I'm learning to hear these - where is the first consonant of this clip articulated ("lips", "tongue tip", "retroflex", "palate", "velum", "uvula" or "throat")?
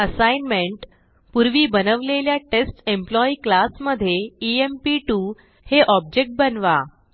tongue tip